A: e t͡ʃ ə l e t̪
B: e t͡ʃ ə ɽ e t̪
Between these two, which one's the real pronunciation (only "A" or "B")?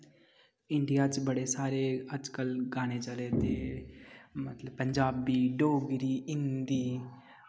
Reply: A